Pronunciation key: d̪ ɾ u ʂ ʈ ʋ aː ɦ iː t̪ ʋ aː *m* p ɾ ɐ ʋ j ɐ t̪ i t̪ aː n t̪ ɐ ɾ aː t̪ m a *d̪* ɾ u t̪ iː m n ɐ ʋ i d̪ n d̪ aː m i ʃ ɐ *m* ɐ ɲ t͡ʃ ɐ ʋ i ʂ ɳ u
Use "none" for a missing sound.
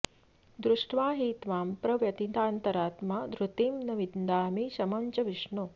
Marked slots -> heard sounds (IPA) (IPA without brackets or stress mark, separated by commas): m, d̪, m